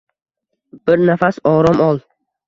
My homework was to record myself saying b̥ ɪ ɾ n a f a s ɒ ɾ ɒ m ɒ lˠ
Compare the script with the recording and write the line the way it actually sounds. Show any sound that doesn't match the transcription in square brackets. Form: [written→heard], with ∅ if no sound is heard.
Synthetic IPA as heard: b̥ ɪ ɾ n a f a s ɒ ɾ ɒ m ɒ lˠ